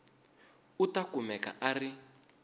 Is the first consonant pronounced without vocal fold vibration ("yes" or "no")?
yes